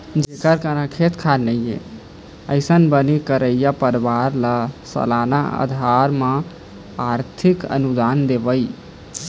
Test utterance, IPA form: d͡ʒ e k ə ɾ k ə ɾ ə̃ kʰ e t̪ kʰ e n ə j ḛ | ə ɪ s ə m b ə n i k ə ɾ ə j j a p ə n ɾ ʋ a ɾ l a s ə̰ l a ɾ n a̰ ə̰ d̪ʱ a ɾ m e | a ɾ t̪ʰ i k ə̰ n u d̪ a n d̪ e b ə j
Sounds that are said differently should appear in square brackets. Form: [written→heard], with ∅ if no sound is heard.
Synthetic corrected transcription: d͡ʒ e k ə ɾ k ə ɾ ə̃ kʰ e t̪ kʰ [e→a] n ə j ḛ | ə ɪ s ə [m→n] b ə n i k ə ɾ ə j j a p ə [n→∅] ɾ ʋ a ɾ l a s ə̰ l a [ɾ→∅] n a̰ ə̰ d̪ʱ a ɾ m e | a ɾ t̪ʰ i k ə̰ n u d̪ a n d̪ e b ə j